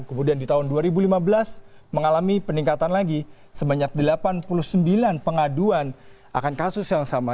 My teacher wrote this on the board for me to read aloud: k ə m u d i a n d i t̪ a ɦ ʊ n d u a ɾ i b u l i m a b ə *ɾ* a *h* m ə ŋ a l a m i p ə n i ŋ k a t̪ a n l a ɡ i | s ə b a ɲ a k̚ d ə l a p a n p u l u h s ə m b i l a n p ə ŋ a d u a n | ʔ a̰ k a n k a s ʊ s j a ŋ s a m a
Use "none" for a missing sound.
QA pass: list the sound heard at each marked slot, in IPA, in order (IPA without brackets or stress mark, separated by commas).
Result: l, s